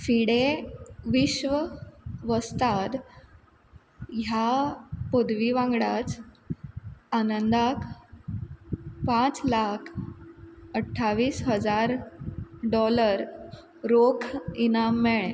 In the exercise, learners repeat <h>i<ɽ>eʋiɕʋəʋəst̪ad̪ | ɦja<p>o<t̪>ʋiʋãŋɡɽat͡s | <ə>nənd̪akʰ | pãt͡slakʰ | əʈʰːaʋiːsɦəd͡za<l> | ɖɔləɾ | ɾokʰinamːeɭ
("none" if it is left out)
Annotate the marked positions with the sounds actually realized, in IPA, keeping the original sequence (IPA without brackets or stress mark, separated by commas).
f, ɽ, p, d̪, a, ɾ